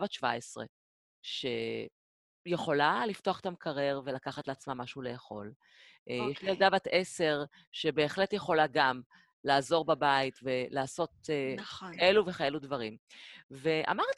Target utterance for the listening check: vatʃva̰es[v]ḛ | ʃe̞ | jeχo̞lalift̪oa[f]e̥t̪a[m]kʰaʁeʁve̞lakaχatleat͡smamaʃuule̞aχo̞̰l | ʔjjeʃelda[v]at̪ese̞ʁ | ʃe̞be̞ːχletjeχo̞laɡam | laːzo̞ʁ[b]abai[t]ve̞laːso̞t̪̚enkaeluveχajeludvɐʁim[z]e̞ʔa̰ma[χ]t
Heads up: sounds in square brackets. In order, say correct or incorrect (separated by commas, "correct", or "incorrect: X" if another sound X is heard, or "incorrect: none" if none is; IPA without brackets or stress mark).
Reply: incorrect: ʁ, incorrect: χ, correct, correct, correct, correct, incorrect: v, incorrect: ʁ